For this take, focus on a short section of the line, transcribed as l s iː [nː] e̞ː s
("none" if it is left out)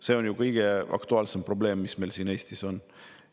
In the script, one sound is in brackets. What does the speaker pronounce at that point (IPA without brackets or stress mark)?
n